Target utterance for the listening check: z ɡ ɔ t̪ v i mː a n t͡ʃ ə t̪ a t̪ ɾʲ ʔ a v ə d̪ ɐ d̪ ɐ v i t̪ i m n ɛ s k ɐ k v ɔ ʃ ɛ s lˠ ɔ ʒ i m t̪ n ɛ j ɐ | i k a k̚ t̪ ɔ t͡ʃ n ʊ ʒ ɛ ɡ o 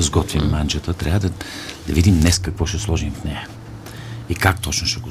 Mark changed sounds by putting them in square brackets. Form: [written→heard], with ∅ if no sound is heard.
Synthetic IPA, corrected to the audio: z ɡ ɔ t̪ v i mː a n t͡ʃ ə t̪ [a→ə] t̪ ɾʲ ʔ a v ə d̪ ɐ d̪ ɐ v i [t̪→d̪] i m n ɛ s k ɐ k v ɔ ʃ ɛ s lˠ ɔ ʒ i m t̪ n ɛ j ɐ | i k a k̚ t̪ ɔ t͡ʃ n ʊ [ʒ→ʃ] ɛ ɡ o